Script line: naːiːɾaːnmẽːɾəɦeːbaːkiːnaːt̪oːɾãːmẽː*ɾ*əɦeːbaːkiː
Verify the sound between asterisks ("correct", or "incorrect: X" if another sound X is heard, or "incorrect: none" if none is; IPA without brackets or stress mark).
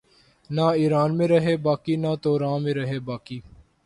correct